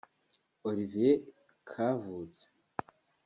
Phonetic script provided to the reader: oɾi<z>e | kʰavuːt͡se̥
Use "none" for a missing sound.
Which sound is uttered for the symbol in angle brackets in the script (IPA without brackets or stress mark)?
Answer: v